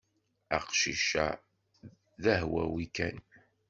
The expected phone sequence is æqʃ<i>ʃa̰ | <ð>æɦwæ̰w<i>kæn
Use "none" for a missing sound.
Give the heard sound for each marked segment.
i, ð, i

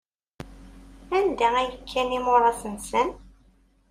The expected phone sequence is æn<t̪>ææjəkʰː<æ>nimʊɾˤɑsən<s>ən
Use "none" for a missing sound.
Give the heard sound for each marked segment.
d̪, æ, s

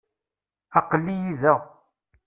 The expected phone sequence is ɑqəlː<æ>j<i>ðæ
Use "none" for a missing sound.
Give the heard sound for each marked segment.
i, i

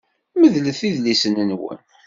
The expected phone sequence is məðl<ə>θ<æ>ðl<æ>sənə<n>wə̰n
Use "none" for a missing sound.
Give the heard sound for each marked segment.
ə, i, i, n

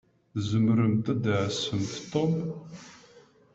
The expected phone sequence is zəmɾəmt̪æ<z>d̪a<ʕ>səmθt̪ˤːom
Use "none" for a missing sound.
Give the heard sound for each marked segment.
none, ʕ

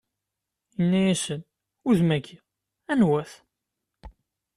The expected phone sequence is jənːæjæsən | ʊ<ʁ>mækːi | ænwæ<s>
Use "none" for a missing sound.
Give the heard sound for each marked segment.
ð, θ

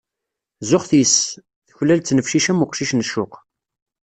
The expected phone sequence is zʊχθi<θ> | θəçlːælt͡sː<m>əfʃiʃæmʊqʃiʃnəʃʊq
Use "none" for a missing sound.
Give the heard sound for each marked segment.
s, n

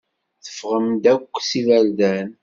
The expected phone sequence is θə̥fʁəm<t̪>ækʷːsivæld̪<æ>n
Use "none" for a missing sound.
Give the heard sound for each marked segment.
d̪, æ

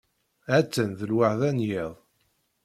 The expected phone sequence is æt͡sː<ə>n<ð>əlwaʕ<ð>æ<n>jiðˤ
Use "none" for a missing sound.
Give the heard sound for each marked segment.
ə, ð, ð, n

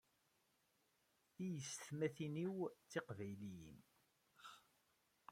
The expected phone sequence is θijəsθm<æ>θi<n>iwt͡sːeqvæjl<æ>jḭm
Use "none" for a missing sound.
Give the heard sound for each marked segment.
æ, n, i

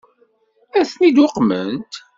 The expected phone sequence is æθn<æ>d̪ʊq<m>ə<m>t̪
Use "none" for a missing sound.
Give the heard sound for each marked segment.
i, m, n

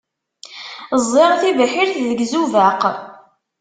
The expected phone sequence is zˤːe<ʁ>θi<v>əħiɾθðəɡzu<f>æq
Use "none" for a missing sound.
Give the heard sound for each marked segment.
ʁ, v, v

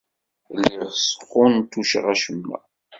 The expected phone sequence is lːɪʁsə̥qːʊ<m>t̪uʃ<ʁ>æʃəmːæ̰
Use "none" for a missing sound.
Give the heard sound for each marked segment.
n, ʁ

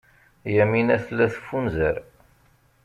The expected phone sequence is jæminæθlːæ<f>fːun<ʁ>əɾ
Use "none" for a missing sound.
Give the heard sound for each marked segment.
θ, z

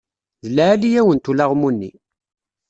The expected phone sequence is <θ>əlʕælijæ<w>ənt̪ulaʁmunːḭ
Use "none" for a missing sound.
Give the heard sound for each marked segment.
ð, w

